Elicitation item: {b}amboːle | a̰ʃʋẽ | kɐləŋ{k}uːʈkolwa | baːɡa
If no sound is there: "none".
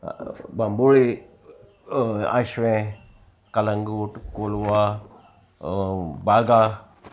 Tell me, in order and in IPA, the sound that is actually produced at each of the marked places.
b, ɡ

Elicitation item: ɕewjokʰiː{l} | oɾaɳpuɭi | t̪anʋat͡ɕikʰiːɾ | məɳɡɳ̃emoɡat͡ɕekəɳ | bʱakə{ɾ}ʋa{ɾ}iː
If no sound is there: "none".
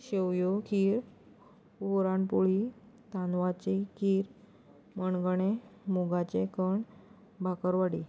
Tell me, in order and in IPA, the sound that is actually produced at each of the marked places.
ɾ, ɾ, ɽ

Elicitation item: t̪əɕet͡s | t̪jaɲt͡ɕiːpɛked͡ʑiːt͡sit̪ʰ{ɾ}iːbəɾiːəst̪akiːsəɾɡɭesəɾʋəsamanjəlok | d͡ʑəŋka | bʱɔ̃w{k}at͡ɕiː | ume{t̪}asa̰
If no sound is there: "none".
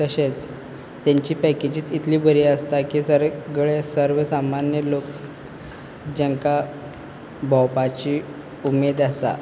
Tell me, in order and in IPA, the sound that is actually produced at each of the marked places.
l, p, d̪

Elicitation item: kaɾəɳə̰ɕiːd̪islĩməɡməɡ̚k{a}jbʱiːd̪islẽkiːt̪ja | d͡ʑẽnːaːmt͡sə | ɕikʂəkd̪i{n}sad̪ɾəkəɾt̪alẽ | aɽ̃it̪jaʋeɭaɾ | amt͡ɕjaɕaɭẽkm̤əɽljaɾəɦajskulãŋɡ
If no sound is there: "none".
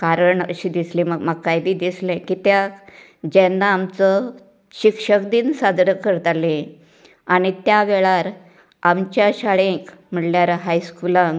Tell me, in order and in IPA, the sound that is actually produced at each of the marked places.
a, n

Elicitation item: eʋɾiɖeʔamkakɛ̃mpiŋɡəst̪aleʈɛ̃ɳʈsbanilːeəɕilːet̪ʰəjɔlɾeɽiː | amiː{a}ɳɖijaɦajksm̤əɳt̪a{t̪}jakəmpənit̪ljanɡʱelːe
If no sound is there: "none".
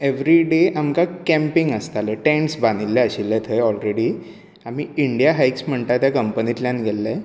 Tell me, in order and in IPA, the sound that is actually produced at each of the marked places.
i, t̪

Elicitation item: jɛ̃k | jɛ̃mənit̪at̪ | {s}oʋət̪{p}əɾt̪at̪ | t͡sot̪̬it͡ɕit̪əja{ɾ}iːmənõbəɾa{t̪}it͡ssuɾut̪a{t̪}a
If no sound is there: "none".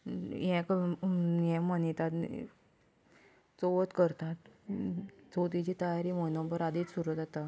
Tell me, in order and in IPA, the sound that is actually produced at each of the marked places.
t͡s, k, ɾ, d̪, t̪

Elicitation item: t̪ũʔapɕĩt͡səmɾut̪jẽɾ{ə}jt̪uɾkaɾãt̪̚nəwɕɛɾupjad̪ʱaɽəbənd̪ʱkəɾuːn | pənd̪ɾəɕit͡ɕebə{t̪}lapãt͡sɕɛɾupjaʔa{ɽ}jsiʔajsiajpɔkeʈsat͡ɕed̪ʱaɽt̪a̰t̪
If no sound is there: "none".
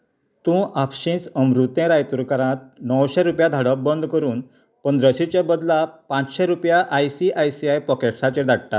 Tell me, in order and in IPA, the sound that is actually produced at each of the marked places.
a, d̪, none

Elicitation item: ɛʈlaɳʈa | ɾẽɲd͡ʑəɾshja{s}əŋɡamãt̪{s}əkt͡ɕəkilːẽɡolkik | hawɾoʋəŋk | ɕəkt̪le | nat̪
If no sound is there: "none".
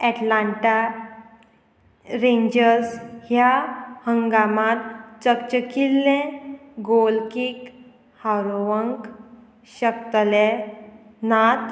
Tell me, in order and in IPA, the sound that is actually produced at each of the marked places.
h, t͡s

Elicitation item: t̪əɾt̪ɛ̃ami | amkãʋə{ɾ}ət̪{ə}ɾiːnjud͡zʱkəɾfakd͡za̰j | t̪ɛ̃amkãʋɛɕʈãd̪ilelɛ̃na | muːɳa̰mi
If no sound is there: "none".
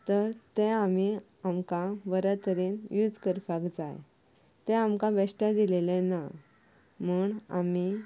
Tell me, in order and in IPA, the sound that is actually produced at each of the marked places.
ɾ, ə

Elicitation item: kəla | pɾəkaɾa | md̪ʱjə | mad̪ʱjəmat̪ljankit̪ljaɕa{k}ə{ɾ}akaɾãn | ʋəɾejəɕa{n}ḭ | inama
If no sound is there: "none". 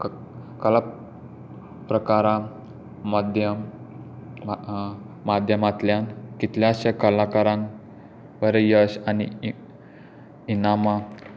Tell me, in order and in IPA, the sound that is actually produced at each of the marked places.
k, l, n

